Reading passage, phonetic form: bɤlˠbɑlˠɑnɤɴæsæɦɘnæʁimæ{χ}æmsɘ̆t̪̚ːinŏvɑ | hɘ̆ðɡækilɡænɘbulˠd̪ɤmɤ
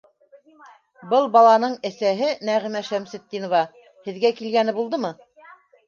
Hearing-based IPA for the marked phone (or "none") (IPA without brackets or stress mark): ʃ